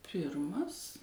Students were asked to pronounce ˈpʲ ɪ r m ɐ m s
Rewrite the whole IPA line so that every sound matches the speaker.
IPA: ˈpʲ ɪ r m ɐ s